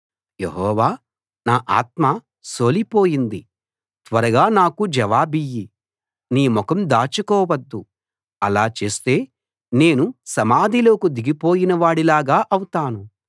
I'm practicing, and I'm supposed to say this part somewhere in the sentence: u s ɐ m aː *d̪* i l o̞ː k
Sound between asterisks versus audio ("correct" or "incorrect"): correct